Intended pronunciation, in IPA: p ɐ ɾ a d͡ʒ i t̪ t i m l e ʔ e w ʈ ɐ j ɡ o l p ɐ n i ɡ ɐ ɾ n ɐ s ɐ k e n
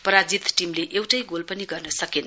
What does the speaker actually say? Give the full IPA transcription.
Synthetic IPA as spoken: p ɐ ɾ a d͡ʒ i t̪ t i m l e ʔ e w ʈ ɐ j ɡ o l p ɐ n i ɡ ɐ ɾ n ɐ s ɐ k e n